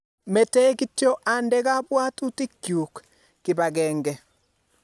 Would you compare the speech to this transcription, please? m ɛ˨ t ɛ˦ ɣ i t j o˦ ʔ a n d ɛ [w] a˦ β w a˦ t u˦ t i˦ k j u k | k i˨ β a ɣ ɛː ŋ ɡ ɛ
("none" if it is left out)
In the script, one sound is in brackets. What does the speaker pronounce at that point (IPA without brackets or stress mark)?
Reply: ɣ